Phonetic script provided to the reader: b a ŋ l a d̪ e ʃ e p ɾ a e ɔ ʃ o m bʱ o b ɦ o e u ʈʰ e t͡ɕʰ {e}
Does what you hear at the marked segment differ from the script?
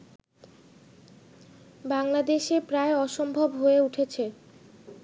no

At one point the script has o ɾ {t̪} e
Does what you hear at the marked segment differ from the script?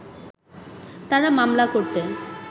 no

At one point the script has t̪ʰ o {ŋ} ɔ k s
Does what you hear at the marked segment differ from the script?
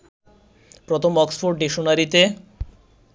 yes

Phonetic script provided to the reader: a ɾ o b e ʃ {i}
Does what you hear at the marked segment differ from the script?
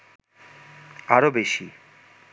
no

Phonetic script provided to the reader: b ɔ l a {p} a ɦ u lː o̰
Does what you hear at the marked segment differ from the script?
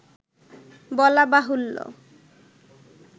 yes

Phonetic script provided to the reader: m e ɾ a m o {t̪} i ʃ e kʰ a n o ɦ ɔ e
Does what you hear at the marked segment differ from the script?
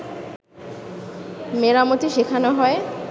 no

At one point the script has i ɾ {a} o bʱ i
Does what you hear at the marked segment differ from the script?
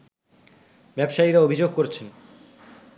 no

